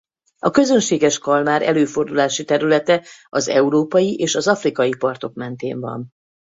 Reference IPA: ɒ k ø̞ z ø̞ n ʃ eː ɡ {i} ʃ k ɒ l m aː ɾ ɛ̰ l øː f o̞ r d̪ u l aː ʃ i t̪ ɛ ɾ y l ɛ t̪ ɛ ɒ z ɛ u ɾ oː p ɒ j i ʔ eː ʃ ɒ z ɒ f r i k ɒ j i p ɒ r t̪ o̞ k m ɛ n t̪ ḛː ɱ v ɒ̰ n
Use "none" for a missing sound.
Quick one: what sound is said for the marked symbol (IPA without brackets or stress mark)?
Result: ɛ